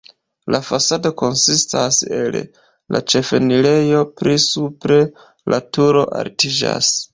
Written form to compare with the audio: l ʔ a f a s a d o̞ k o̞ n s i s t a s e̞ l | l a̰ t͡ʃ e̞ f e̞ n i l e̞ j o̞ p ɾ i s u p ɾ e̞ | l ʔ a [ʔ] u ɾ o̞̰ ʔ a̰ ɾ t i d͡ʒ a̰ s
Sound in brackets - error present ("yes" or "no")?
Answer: yes